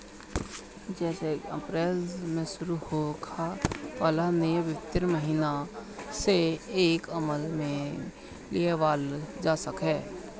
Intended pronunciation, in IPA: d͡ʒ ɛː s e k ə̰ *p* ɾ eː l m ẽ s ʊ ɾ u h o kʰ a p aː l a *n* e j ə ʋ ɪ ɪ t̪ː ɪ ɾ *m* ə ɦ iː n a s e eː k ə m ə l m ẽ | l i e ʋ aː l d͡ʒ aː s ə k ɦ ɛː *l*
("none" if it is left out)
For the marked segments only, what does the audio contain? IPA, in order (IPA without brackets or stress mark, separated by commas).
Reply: p, n, m, none